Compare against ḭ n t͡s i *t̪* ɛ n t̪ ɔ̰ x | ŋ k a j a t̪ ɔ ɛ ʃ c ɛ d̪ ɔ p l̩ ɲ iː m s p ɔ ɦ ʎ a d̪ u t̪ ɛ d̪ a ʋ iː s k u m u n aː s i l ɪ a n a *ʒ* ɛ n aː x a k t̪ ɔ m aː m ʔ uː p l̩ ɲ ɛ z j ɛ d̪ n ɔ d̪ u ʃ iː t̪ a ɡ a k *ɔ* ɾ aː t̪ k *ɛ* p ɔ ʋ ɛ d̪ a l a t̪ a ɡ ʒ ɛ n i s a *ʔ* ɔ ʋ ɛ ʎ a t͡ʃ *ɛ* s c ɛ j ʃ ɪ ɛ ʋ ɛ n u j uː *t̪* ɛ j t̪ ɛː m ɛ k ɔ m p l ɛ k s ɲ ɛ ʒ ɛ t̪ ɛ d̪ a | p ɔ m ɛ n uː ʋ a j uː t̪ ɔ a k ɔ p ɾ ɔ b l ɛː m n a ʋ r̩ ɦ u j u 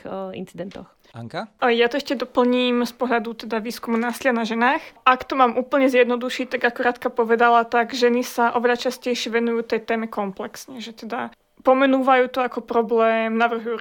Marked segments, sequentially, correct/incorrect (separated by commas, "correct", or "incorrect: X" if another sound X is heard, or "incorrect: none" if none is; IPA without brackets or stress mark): incorrect: d̪, correct, incorrect: u, incorrect: a, correct, incorrect: a, correct